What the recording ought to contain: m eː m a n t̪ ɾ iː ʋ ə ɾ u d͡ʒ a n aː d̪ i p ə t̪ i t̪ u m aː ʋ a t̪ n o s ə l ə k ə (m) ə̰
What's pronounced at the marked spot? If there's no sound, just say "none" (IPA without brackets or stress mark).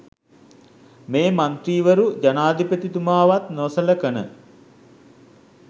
n